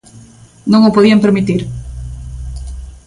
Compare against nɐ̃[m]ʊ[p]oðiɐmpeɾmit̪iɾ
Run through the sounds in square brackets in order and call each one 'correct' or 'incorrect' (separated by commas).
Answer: incorrect, correct